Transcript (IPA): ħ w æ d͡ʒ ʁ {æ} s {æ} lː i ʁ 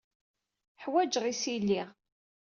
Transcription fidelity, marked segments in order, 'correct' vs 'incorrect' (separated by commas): incorrect, incorrect